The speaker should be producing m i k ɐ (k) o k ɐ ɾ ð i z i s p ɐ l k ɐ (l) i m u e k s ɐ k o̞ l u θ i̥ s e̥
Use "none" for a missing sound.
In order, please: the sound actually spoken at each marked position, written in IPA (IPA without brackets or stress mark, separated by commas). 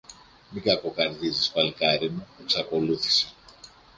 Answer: k, ɾ